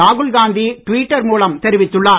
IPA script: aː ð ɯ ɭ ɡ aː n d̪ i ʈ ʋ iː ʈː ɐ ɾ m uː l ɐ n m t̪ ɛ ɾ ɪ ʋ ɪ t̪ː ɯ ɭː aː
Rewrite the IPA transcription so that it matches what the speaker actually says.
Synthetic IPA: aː ɣ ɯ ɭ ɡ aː n d̪ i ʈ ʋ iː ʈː ɐ ɾ m uː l ɐ m t̪ ɛ ɾ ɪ ʋ ɪ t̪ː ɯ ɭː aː